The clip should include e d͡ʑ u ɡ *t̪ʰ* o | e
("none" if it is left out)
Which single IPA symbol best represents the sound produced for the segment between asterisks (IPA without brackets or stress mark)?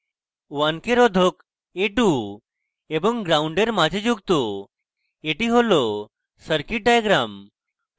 t̪